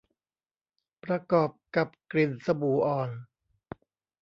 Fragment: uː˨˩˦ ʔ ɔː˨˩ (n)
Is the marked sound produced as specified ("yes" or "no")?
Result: yes